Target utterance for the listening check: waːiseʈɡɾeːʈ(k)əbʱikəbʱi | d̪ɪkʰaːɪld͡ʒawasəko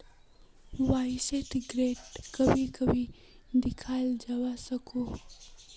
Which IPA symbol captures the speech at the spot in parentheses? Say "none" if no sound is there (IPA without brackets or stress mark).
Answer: k